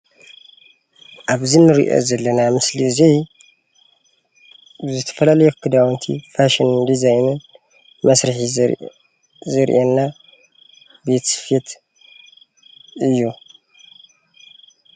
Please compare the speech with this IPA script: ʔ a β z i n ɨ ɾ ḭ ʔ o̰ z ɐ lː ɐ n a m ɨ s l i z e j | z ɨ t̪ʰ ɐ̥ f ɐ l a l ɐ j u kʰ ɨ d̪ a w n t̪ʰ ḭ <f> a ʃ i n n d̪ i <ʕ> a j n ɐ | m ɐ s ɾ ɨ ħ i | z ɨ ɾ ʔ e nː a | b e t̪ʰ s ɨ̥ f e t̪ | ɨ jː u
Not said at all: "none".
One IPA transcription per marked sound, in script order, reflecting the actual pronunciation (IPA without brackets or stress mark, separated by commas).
f, z